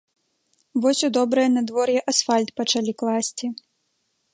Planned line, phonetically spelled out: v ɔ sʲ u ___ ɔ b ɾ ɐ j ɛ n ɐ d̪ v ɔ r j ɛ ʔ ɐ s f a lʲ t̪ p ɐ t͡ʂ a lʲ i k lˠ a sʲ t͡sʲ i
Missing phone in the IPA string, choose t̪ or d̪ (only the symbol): d̪